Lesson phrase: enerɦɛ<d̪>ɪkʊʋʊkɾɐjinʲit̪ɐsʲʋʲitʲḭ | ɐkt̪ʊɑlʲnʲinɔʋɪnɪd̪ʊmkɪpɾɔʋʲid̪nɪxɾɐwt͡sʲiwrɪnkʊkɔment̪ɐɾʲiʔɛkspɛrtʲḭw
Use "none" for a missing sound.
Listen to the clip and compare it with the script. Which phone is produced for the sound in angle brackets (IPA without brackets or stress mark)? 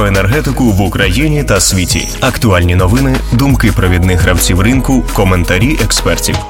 t̪